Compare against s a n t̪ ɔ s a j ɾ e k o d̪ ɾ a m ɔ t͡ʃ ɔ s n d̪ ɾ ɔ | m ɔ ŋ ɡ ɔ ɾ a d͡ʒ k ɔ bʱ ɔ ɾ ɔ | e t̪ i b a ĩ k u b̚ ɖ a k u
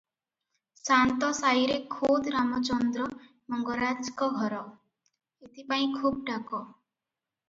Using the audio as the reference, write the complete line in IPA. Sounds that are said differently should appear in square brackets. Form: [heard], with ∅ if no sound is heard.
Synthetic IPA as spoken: s a n t̪ ɔ s a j ɾ e [kʰ] o d̪ ɾ a m ɔ t͡ʃ ɔ [∅] n d̪ ɾ ɔ | m ɔ ŋ ɡ ɔ ɾ a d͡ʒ k ɔ [ɡʱ] ɔ ɾ ɔ | e t̪ i [p] a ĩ [kʰ] u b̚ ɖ a k [ɔ]